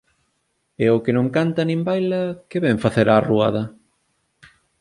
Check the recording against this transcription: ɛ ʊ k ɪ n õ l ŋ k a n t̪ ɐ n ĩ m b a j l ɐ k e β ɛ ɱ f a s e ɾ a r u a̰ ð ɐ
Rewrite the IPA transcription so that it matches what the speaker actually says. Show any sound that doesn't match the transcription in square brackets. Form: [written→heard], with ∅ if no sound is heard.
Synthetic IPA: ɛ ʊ k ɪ n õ [l→∅] ŋ k a n t̪ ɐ n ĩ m b a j l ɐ k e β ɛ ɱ f a [s→θ] e ɾ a r u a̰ ð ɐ

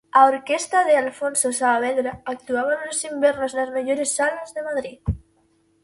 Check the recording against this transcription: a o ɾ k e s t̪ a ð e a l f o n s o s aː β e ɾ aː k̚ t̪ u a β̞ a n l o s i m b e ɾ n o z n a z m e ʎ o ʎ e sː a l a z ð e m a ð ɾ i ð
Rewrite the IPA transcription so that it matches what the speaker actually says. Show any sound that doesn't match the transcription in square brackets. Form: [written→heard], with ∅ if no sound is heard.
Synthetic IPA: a o ɾ k e s t̪ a ð e a l f o n s o s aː β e ɾ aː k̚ t̪ u a β̞ a n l o s i m b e ɾ n o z n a z m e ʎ o [ʎ→ɾ] e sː a l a z ð e m a ð ɾ i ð

